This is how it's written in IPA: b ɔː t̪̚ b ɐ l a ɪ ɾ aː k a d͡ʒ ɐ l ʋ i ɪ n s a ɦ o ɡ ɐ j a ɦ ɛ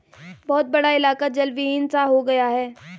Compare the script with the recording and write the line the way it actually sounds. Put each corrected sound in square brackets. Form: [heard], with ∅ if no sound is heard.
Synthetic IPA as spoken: b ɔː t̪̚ b ɐ [ɽ] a ɪ [l] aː k a d͡ʒ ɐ l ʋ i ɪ n s a ɦ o ɡ ɐ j a ɦ [ɛː]